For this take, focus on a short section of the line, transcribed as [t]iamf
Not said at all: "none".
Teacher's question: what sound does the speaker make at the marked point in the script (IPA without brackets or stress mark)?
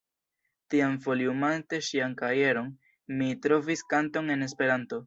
t